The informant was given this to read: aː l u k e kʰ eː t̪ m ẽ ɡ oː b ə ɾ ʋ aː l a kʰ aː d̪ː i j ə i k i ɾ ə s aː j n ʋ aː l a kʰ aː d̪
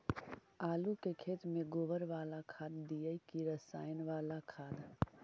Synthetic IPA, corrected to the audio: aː l u k e kʰ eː t̪ m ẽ ɡ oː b ə ɾ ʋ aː l a kʰ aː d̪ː i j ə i k i ɾ ə s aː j n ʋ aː l a kʰ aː d̪